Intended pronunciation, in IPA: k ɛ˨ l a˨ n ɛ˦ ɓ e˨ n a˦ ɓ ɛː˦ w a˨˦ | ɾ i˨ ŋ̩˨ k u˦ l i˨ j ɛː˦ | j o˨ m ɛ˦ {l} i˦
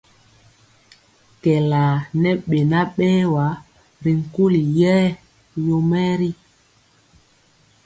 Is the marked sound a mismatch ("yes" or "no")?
yes